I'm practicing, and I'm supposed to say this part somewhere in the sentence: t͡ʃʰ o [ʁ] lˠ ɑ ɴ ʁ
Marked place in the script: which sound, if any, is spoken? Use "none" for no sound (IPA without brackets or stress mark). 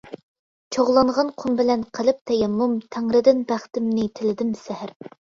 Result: ʁ